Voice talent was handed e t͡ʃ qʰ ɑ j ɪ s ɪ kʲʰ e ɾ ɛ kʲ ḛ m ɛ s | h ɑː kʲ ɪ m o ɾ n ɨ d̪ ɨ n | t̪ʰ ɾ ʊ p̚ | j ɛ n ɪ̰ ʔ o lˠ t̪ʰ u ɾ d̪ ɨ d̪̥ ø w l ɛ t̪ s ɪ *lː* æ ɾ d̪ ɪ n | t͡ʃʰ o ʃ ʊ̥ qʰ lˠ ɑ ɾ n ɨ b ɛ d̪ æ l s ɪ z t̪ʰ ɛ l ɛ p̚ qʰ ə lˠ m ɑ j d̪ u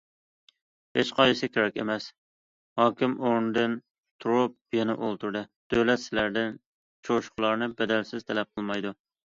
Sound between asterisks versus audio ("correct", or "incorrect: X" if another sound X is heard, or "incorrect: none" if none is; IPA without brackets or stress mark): incorrect: l